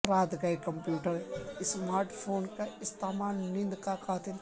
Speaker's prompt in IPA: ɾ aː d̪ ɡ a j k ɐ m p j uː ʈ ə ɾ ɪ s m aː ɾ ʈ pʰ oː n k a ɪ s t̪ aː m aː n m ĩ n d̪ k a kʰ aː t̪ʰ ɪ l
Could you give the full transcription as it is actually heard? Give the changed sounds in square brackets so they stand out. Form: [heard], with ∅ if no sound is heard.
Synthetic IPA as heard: ɾ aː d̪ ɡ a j k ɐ m p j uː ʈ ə ɾ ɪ s m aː ɾ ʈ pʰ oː n k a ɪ s t̪ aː m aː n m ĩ n d̪ k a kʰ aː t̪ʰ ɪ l